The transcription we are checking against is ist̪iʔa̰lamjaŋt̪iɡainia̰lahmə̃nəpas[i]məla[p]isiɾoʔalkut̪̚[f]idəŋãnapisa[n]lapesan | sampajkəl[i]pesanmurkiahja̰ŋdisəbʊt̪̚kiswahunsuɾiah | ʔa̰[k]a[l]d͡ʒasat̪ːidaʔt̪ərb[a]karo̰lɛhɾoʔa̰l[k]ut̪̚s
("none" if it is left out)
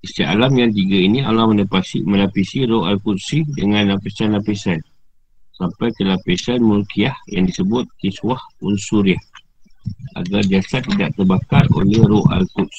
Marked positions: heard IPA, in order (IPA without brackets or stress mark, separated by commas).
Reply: i, p, s, n, a, ɡ, r, a, k